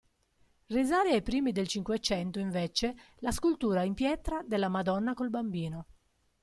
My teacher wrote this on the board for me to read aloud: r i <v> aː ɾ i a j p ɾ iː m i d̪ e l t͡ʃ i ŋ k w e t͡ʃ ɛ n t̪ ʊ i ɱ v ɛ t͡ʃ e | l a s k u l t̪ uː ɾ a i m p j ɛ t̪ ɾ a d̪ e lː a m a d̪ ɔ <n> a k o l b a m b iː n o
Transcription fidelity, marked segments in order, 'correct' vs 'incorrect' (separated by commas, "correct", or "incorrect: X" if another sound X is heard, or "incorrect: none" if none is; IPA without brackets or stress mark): incorrect: z, incorrect: nː